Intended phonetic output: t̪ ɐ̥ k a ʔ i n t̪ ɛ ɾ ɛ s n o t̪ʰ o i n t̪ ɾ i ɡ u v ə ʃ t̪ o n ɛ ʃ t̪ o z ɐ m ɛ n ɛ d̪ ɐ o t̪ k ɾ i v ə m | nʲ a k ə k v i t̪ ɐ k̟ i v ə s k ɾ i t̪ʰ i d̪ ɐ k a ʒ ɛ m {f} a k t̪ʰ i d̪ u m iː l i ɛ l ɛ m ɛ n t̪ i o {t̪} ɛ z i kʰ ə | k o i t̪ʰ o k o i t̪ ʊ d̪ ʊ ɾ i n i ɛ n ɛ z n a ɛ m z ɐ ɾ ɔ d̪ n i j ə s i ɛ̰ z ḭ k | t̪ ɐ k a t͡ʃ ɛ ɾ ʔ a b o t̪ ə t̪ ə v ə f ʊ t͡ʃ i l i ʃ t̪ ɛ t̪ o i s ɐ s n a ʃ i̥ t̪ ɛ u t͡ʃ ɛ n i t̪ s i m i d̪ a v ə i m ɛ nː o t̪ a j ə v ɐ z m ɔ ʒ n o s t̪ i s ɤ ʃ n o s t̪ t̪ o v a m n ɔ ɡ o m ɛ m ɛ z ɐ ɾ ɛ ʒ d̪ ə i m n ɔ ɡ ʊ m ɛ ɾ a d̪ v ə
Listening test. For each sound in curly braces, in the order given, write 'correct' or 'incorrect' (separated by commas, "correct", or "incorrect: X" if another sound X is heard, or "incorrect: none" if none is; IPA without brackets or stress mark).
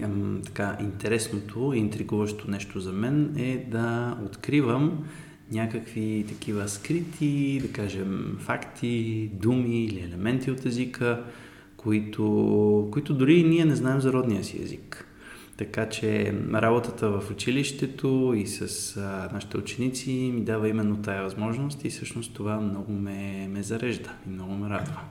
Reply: correct, correct